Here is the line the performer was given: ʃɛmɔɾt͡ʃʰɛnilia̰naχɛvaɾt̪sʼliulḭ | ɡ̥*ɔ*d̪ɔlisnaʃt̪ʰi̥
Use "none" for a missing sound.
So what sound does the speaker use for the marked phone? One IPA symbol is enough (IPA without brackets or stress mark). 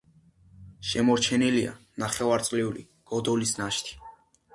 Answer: ɔ